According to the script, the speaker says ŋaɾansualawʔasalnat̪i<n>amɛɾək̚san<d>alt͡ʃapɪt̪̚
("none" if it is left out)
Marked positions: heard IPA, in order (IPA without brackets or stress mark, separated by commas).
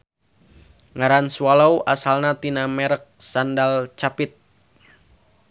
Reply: n, d